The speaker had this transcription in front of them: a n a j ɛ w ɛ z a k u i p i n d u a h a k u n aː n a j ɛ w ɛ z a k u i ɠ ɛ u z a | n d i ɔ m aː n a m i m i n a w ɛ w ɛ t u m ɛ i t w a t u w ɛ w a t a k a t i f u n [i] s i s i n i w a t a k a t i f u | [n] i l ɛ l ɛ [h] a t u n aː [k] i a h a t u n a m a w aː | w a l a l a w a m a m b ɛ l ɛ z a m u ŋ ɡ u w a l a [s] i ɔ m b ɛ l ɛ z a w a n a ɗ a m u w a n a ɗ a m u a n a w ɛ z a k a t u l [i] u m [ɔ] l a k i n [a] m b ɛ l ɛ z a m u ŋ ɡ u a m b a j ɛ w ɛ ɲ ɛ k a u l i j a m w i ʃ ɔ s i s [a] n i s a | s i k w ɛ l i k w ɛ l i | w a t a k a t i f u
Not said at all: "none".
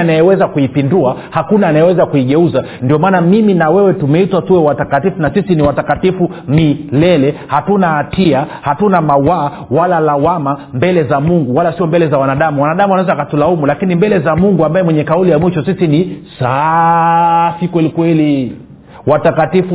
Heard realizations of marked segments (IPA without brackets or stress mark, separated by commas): a, m, h, t, s, a, u, i, i